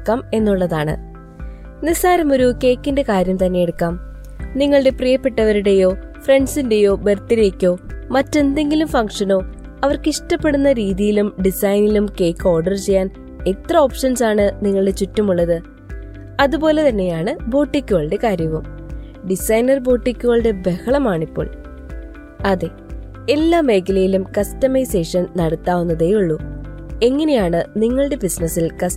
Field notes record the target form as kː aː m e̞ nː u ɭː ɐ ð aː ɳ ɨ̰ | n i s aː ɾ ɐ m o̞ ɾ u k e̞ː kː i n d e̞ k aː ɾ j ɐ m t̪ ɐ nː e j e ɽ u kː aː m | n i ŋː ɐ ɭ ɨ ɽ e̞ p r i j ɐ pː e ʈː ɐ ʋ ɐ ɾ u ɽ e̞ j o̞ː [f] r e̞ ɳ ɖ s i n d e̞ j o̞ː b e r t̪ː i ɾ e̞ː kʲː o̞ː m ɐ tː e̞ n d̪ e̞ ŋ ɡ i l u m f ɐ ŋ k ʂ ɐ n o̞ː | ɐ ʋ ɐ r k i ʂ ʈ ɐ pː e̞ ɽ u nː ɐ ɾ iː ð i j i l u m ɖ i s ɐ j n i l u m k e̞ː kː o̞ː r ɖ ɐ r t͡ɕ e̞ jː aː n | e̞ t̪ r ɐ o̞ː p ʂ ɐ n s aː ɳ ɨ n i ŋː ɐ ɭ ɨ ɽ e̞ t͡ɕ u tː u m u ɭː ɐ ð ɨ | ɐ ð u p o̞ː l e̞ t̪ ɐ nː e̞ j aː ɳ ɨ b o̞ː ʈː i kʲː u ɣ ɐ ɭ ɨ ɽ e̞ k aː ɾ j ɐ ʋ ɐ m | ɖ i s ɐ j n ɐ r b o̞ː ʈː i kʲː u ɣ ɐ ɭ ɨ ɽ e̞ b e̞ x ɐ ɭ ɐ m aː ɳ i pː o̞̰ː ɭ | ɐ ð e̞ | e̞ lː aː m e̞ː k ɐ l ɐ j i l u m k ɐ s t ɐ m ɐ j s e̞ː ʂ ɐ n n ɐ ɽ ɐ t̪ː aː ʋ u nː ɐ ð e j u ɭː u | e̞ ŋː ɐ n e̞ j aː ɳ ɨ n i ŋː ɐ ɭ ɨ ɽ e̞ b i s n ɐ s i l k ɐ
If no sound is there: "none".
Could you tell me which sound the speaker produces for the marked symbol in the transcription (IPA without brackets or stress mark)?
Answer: f